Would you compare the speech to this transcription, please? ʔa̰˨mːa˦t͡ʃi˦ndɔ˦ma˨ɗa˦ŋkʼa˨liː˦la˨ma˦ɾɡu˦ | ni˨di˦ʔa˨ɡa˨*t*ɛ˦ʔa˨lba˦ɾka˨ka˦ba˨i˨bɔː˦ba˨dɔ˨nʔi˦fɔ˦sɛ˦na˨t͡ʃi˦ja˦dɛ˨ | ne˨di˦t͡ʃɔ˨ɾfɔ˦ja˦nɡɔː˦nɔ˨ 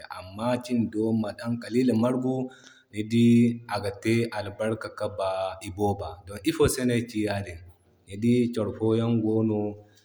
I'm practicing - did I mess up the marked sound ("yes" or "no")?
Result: no